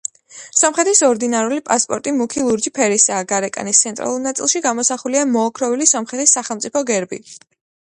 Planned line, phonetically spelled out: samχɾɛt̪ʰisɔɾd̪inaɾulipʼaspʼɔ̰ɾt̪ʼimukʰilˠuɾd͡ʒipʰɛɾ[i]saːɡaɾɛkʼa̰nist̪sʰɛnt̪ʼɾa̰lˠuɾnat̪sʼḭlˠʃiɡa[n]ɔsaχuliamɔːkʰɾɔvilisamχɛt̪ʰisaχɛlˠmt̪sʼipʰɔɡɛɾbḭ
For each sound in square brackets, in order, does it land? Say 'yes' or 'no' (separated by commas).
yes, no